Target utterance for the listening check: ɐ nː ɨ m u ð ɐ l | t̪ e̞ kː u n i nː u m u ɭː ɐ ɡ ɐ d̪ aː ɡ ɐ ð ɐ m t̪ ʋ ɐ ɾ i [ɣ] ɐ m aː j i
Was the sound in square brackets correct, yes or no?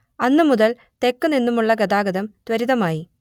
no